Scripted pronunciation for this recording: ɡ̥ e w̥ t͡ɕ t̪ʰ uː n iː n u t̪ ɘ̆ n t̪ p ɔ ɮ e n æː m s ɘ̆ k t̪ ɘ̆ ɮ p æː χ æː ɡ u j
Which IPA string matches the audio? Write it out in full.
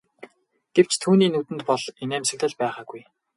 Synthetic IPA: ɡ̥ e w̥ t͡ɕ t̪ʰ uː n iː n u t̪ ɘ̆ n t̪ p ɔ ɮ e n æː m s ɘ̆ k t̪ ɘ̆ ɮ p æː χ aː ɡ u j